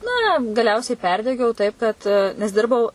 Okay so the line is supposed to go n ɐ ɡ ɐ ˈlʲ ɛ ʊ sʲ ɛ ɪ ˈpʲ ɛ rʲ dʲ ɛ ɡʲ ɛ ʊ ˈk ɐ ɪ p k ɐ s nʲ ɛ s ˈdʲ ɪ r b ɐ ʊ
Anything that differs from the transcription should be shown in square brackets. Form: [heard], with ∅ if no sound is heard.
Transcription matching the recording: n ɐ ɡ ɐ ˈlʲ ɛ ʊ sʲ ɛ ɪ ˈpʲ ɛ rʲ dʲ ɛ ɡʲ ɛ ʊ [ˈt] ɐ ɪ p k ɐ [t] nʲ ɛ s ˈdʲ ɪ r b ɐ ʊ